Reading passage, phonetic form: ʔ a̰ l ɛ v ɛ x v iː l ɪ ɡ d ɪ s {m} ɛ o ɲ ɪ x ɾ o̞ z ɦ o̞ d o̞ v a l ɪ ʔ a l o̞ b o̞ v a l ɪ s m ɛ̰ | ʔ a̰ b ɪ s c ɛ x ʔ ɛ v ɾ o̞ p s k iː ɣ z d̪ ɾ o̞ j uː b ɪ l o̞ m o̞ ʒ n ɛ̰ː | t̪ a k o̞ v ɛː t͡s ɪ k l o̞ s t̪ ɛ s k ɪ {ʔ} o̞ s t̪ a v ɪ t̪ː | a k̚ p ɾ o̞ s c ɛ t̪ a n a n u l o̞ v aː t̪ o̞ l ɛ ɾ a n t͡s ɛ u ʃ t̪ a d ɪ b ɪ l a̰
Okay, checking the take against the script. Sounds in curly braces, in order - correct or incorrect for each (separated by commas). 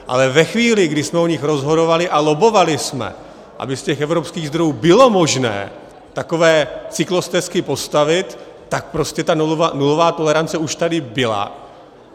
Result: correct, incorrect